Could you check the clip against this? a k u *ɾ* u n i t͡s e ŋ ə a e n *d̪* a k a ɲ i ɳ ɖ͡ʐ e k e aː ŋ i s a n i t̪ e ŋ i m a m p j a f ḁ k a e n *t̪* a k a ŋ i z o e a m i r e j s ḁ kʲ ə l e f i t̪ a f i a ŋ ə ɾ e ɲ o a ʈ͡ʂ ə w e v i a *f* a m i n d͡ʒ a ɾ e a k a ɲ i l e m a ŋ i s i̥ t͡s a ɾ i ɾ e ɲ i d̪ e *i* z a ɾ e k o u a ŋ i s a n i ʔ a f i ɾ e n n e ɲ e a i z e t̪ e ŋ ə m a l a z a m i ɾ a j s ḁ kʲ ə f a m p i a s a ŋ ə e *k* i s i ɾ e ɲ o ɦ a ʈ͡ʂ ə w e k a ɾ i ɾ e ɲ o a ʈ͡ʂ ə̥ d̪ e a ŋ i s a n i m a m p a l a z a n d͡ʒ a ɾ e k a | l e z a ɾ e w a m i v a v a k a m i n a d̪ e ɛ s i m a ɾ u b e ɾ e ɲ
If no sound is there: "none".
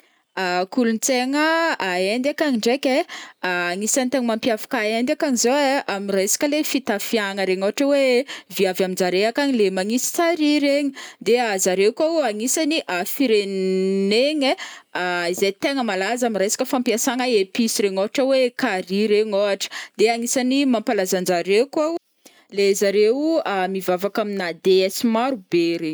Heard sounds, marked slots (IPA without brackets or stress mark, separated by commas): l, d̪, d̪, v, a, p